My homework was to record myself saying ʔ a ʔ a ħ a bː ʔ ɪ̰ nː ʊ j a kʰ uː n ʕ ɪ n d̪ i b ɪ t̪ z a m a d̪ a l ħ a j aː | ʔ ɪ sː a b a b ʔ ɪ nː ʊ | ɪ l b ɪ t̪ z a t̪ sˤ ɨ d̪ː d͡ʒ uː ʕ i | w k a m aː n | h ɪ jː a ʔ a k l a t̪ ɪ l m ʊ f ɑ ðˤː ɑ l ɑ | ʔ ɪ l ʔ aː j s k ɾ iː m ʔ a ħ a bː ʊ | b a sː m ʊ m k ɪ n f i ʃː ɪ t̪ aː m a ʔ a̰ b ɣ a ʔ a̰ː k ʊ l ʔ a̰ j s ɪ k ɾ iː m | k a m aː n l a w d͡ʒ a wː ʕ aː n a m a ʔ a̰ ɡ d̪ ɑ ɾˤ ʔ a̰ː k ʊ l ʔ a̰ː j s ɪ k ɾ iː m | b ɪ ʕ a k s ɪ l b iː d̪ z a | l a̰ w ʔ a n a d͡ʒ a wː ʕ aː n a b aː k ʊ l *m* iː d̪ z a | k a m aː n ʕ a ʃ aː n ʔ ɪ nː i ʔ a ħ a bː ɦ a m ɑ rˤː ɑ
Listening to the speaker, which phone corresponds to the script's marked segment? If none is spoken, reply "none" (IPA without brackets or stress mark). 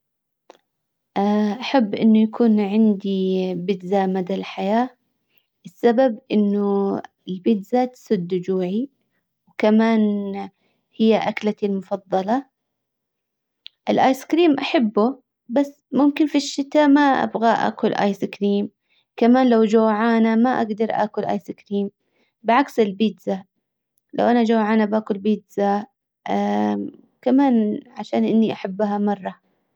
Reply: b